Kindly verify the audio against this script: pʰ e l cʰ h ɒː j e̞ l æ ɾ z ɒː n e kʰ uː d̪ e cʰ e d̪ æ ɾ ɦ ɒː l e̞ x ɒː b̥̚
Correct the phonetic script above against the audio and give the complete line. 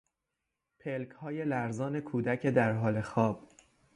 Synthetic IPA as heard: pʰ e l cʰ h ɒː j e̞ l æ ɾ z ɒː n e kʰ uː d̪ æ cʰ e d̪ æ ɾ ɦ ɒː l e̞ x ɒː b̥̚